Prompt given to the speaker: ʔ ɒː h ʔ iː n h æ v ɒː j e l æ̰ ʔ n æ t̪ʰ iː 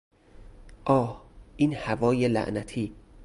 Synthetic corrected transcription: ʔ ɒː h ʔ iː n h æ v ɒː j e l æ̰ ʔ n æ t̪ʰ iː